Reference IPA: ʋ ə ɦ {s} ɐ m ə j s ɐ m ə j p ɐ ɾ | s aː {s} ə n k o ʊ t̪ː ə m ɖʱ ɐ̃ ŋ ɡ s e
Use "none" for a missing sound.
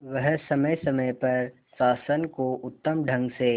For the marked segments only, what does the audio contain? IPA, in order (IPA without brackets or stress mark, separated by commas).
s, s